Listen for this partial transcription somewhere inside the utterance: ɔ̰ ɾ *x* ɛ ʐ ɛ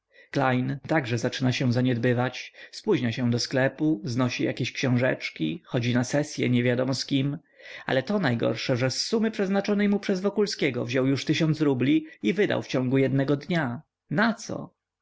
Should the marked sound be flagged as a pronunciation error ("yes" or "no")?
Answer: yes